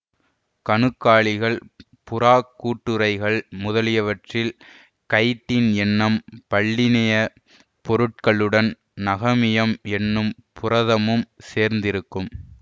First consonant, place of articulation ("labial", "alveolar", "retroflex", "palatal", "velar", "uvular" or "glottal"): velar